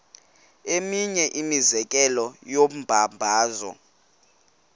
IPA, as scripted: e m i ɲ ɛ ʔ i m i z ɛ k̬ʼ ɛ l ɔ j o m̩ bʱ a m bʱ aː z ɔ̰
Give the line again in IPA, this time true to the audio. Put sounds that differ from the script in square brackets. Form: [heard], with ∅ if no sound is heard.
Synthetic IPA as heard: e m i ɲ ɛ ʔ i m i z ɛ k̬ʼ ɛ l ɔ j o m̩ bʱ a m bʱ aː z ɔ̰